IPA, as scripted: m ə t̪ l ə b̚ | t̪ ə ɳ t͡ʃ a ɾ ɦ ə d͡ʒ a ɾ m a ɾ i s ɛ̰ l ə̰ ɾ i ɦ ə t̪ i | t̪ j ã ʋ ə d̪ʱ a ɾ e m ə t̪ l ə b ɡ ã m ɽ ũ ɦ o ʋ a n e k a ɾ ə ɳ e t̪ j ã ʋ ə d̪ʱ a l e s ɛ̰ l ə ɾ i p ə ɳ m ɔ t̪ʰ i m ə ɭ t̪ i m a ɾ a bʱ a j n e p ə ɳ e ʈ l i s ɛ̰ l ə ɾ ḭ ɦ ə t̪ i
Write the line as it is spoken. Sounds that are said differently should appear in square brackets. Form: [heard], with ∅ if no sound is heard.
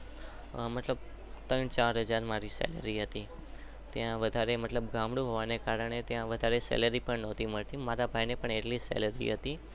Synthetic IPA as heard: m ə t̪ l ə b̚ | t̪ ə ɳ t͡ʃ a ɾ ɦ ə d͡ʒ a ɾ m a ɾ i s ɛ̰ l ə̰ ɾ i ɦ ə t̪ i | t̪ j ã ʋ ə d̪ʱ a ɾ e m ə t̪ l ə b ɡ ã m ɽ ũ ɦ o ʋ a n e k a ɾ ə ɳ e t̪ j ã ʋ ə d̪ʱ a [ɾ] e s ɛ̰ l ə ɾ i p ə ɳ [n] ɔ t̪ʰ i m ə ɭ t̪ i m a ɾ a bʱ a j n e p ə ɳ e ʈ l i s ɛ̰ l ə ɾ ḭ ɦ ə t̪ i